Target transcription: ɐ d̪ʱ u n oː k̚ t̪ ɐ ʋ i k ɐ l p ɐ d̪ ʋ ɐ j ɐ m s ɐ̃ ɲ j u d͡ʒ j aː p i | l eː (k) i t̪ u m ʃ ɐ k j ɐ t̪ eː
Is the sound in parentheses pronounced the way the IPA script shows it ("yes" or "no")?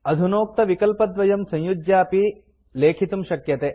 no